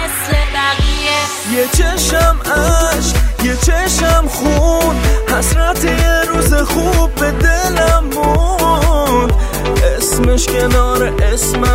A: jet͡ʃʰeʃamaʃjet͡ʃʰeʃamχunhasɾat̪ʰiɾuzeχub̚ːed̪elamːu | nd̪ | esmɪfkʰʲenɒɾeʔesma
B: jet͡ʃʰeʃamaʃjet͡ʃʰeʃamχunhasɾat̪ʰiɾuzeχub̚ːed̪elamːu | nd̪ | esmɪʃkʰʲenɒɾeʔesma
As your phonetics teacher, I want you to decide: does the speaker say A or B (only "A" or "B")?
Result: B